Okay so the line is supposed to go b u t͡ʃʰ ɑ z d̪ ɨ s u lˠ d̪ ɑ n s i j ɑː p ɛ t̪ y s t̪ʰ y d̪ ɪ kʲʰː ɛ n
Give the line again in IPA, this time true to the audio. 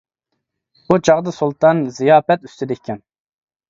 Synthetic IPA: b u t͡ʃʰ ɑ ʁ d̪ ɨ s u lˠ t̪ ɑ n z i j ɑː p ɛ t̪ y s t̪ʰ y d̪ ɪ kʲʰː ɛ n